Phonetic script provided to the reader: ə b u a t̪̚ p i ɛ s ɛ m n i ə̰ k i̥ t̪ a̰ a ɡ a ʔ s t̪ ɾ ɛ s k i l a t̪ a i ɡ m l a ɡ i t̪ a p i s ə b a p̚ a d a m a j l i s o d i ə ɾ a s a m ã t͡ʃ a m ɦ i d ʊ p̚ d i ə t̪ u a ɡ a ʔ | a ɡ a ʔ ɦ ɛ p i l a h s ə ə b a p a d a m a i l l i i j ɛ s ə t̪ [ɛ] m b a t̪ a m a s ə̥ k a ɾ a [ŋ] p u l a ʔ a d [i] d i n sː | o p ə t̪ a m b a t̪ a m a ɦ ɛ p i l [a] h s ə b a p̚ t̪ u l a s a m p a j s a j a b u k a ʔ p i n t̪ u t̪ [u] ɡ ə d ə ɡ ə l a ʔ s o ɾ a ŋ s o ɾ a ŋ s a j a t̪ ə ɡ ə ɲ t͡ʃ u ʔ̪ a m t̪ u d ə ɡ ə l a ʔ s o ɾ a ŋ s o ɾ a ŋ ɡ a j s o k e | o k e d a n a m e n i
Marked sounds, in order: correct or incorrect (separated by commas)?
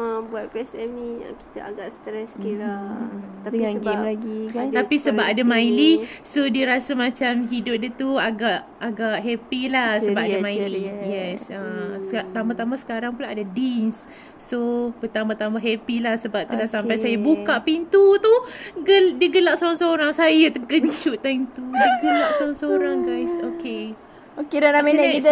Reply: incorrect, correct, incorrect, correct, correct